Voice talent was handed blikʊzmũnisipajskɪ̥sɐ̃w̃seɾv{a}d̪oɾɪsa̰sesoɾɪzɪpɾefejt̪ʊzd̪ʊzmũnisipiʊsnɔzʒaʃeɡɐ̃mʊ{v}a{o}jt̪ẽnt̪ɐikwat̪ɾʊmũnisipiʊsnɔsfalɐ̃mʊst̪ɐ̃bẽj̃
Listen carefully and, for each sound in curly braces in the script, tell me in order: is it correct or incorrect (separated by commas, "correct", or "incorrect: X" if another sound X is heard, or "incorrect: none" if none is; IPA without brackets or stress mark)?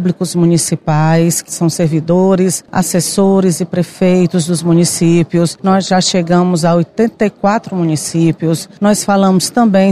incorrect: i, incorrect: z, correct